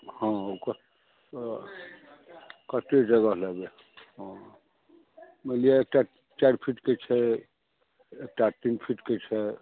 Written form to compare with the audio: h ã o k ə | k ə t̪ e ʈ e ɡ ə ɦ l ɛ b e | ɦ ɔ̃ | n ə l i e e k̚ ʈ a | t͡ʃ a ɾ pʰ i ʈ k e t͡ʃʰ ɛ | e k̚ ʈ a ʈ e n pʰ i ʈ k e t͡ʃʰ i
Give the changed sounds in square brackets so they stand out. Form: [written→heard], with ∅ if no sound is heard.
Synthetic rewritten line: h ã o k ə | k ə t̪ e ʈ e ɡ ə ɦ l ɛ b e | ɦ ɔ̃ | [n→m] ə l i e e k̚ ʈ a | t͡ʃ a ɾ pʰ i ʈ k e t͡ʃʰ ɛ | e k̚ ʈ a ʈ [e→i] n pʰ i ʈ k e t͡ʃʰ [i→ɛ]